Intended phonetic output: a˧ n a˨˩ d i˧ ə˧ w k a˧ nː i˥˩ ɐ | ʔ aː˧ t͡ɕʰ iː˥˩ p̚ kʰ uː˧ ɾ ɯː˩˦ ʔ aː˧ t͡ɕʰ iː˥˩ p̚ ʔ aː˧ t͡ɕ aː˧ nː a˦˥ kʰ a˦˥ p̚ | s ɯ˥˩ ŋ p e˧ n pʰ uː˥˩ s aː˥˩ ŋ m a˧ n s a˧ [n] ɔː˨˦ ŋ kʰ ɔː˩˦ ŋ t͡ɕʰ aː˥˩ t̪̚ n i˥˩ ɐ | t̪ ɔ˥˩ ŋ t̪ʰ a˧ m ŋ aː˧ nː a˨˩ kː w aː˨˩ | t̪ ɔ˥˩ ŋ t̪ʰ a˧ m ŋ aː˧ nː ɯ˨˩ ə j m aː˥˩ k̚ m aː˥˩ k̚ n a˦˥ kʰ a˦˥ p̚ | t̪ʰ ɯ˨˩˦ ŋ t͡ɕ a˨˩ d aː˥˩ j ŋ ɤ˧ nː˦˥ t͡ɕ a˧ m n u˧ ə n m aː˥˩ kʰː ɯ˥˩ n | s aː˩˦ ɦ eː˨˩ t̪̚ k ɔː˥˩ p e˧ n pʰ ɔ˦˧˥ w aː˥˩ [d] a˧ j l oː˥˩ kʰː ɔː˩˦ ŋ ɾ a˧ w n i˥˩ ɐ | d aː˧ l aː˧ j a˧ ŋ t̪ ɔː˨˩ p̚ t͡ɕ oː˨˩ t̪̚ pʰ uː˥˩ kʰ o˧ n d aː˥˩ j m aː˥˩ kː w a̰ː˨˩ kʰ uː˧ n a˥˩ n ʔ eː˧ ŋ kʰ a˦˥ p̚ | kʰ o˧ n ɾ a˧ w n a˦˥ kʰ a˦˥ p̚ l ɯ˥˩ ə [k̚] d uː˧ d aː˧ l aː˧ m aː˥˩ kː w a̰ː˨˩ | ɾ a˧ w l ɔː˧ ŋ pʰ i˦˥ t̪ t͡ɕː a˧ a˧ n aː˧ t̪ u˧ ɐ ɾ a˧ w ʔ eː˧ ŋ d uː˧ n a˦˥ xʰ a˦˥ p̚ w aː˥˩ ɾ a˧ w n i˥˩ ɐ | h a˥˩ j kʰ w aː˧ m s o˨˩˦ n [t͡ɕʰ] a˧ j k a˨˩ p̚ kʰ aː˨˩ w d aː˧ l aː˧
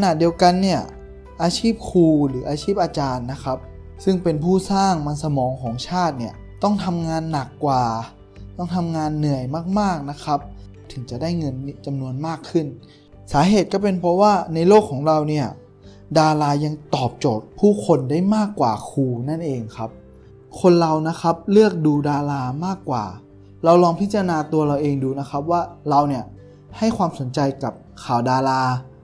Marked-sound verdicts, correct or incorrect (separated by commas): incorrect, incorrect, correct, incorrect